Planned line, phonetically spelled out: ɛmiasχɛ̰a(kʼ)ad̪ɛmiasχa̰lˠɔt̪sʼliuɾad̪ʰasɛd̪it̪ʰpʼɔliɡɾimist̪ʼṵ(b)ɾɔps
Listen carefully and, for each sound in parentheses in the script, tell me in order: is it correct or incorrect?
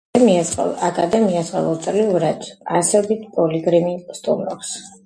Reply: correct, incorrect

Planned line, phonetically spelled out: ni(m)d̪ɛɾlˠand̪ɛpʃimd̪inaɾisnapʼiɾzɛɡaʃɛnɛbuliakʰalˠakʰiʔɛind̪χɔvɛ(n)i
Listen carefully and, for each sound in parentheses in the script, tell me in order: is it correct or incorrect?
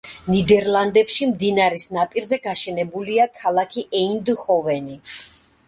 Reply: incorrect, correct

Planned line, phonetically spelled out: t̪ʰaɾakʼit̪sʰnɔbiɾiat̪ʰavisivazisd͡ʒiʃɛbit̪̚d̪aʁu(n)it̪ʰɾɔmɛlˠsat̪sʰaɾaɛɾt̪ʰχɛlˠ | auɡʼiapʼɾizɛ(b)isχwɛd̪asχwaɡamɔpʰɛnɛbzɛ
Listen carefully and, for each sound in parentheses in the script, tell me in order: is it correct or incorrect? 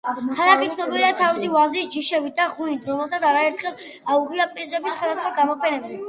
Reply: correct, correct

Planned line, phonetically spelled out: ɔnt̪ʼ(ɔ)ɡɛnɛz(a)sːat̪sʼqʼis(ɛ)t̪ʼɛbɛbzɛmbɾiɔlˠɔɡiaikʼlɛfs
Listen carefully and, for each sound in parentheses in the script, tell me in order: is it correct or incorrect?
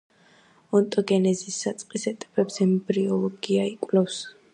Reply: correct, incorrect, correct

